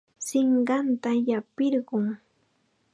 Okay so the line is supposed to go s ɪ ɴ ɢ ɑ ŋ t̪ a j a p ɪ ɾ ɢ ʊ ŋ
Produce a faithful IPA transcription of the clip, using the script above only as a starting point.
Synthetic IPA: s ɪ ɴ ɢ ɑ n t̪ a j a p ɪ ɾ ɢ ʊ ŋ